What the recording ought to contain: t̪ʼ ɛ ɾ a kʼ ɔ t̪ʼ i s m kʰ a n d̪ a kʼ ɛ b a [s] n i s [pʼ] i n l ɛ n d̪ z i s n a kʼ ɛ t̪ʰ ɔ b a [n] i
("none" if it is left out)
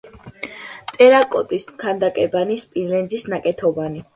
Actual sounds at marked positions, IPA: none, pʼ, n

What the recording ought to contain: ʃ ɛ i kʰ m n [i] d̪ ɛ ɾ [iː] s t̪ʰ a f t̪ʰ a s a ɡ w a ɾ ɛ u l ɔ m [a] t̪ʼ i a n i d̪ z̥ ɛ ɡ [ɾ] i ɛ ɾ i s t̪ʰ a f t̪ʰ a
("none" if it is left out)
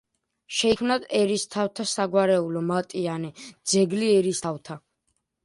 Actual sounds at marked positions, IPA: a, i, a, l

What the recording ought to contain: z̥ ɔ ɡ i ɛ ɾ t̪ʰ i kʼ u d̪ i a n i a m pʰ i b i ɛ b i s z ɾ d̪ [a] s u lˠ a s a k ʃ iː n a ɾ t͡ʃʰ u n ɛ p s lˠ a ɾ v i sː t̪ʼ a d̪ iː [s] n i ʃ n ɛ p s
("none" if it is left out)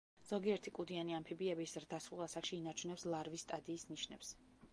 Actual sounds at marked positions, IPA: a, s

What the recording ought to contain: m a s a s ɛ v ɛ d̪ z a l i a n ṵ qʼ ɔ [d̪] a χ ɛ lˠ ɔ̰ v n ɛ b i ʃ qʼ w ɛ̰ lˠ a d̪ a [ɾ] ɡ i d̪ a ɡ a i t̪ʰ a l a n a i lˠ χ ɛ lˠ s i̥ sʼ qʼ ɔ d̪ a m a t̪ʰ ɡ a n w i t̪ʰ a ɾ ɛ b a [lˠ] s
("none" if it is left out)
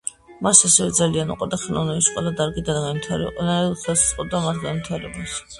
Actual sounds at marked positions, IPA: d̪, ɾ, none

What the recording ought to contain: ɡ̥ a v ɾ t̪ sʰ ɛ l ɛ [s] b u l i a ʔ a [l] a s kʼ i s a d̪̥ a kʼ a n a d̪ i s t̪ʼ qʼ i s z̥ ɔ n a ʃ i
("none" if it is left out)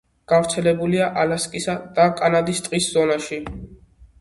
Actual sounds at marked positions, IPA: none, l

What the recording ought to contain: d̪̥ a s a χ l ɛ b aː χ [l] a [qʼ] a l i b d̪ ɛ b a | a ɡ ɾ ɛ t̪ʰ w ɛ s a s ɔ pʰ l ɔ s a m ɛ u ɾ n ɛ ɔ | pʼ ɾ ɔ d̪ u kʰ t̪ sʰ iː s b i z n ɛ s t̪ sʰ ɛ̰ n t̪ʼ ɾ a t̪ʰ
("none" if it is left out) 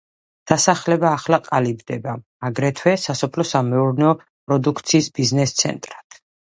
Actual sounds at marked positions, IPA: l, qʼ

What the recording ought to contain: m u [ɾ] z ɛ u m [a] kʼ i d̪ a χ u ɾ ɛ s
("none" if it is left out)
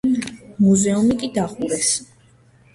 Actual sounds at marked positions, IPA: none, i

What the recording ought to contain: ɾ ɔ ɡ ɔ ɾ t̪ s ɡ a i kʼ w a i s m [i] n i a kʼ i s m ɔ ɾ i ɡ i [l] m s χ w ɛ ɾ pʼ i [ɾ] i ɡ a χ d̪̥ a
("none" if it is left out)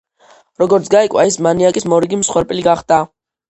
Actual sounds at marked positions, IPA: a, none, l

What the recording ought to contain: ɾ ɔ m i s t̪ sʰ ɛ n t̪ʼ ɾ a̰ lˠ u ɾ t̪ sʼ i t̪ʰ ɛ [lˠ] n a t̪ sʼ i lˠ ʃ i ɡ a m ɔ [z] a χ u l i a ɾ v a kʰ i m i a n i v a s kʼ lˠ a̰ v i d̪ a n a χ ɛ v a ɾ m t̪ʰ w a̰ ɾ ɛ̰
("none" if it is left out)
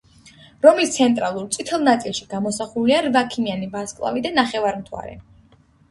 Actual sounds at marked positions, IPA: lˠ, s

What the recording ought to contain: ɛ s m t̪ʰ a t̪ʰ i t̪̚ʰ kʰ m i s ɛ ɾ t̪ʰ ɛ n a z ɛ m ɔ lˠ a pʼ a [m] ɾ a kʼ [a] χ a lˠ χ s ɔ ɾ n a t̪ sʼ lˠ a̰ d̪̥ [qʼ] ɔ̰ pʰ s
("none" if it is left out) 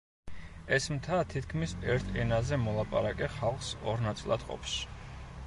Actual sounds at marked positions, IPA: none, ɛ, qʼ

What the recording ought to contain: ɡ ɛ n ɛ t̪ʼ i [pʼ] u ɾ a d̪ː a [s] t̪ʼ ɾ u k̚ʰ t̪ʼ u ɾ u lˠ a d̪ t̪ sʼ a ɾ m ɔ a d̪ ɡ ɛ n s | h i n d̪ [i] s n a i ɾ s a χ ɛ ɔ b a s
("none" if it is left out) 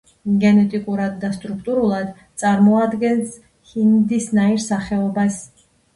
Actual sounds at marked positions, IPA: kʼ, s, i

